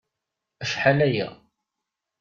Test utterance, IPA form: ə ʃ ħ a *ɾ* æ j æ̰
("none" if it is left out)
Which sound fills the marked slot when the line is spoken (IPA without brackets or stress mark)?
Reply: l